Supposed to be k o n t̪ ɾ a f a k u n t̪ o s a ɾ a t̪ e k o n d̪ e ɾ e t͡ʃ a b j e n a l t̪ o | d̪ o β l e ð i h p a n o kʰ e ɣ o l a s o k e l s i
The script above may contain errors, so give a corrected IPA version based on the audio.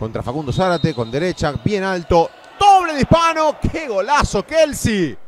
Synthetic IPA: k o n t̪ ɾ a f a k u n d̪ o s a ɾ a t̪ e k o n d̪ e ɾ e t͡ʃ a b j e n a l t̪ o | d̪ o β l e ð i h p a n o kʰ e ɣ o l a s o k e l s i